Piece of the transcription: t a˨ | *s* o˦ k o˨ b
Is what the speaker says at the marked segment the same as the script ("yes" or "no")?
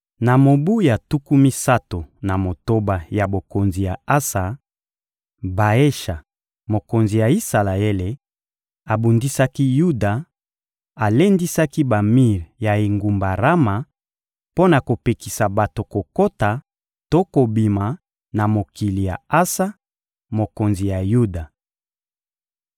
no